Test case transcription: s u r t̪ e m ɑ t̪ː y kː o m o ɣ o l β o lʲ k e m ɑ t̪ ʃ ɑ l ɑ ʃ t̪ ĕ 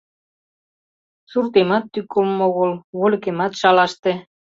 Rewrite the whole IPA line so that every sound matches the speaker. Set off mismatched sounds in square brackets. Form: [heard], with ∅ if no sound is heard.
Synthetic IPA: s u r t̪ e m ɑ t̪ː y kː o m o ɣ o l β o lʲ k e m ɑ t̪ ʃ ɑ l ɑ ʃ t̪ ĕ